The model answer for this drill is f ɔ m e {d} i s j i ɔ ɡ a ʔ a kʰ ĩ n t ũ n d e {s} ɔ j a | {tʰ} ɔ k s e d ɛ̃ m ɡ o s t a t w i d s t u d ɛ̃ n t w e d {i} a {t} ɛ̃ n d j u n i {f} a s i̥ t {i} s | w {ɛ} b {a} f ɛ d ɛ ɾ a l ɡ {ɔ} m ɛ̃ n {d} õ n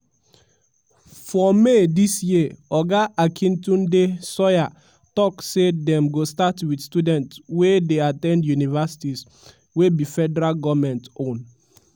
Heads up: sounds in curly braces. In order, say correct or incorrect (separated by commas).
correct, correct, incorrect, incorrect, correct, incorrect, correct, incorrect, incorrect, correct, incorrect